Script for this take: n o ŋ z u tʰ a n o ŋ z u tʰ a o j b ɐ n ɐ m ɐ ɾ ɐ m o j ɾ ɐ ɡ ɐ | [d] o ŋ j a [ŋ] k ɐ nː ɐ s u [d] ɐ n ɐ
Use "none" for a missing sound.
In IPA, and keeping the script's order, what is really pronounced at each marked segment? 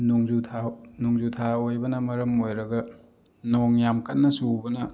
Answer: n, m, b

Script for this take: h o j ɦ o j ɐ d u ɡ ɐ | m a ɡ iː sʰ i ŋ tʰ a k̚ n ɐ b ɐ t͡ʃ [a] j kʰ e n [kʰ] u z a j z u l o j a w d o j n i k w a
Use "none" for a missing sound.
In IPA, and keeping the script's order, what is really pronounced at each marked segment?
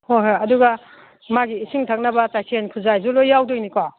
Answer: a, kʰ

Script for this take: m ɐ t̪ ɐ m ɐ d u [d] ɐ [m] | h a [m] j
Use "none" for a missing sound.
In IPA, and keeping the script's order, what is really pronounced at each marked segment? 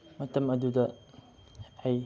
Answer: d, none, none

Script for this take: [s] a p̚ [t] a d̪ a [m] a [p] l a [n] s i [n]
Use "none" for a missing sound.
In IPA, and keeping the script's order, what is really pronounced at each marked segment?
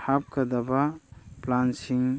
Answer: h, k, b, p, n, ŋ

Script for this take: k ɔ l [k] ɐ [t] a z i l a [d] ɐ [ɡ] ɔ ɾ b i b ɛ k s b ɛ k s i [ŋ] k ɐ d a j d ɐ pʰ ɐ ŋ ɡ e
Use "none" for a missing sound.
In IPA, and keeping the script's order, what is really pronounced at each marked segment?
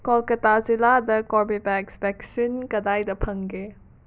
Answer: k, t, d, k, n

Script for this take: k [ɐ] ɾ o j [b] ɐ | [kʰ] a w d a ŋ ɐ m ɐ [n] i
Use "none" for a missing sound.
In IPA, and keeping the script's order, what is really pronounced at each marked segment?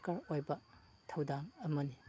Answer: a, b, tʰ, n

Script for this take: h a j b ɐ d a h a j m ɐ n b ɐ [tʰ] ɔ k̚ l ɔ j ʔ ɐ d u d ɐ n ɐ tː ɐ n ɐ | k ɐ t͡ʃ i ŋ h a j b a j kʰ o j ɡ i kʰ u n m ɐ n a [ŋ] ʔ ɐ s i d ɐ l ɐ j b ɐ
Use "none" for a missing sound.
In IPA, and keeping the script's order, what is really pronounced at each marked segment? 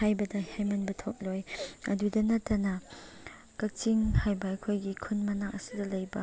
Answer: tʰ, ŋ

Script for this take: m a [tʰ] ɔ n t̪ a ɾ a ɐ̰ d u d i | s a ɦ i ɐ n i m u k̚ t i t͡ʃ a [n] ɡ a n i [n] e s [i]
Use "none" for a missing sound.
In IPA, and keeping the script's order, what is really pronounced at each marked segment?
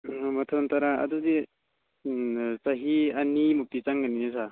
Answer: tʰ, ŋ, n, a

